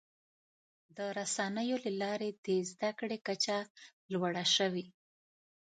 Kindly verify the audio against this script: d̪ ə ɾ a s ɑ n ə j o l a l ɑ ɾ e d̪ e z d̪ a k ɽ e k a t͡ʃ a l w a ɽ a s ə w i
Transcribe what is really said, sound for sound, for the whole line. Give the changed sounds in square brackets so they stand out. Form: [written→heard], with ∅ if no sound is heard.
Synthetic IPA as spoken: d̪ ə ɾ a s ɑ n ə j o l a l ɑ ɾ e d̪ e z d̪ a k ɽ e k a t͡ʃ a l w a ɽ a [s→ʃ] ə w i